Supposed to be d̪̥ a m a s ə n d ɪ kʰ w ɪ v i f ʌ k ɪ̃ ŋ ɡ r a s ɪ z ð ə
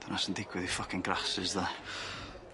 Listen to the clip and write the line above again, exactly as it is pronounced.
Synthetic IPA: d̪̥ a n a s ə n d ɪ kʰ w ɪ ð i f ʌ k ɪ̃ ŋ ɡ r a s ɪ z ð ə